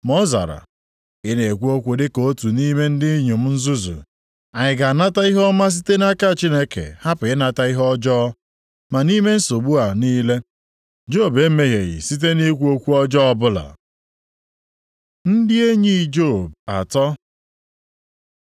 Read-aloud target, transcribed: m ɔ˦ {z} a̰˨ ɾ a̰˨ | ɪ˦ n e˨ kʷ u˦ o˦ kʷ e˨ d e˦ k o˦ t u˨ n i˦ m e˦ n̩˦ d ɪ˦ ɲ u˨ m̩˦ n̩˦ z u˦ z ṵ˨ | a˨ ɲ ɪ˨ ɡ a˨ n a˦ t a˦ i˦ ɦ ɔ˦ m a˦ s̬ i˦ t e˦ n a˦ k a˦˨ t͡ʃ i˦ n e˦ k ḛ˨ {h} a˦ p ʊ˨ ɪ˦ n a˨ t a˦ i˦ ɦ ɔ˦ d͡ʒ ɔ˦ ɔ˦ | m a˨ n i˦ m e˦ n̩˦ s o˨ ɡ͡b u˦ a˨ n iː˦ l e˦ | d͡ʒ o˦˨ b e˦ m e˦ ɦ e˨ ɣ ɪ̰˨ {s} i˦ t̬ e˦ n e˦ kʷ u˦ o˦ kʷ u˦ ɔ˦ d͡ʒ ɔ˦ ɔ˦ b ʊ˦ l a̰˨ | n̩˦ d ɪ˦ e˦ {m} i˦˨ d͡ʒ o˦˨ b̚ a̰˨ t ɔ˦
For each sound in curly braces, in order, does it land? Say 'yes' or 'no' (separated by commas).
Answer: yes, yes, yes, no